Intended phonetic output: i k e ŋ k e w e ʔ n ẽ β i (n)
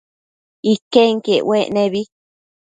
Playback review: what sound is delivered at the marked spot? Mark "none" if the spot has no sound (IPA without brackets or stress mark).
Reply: none